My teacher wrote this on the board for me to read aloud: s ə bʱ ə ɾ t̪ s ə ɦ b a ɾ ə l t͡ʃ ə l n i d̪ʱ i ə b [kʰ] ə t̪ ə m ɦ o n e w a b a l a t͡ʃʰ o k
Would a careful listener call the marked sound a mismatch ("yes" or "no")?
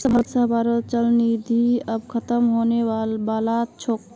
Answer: no